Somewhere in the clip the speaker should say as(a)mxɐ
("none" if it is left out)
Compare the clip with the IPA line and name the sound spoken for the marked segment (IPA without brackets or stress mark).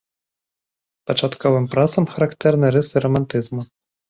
ɐ